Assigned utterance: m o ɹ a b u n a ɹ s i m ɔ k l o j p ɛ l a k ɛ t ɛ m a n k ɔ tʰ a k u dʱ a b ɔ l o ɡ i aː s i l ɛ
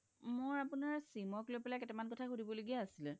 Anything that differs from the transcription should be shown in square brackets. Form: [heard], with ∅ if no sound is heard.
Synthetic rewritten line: m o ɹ a [p] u n a ɹ s i m ɔ k l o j p ɛ l a k ɛ t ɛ m a n k ɔ tʰ a [x] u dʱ [i] b ɔ l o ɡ i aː s i l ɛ